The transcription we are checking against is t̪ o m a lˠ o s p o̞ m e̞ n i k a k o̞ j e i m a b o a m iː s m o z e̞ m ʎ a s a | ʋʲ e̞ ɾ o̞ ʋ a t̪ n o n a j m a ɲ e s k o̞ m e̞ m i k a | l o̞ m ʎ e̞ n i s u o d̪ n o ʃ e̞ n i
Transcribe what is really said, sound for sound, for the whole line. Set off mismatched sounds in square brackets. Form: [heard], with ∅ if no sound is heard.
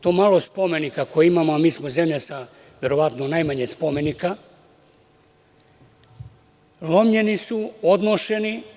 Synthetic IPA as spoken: t̪ o m a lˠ o s p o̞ m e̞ n i k a k o̞ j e i m a [m] o a m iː s m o z e̞ m ʎ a s a | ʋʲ e̞ ɾ o̞ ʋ a t̪ n o n a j m a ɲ e s [p] o̞ m e̞ [n] i k a | l o̞ m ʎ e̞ n i s u o d̪ n o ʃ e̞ n i